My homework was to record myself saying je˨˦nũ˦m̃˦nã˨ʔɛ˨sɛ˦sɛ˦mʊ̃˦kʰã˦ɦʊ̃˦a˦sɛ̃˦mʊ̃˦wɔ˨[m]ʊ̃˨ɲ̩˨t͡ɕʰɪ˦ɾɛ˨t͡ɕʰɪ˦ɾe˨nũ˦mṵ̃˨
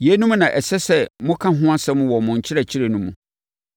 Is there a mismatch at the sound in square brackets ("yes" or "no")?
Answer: no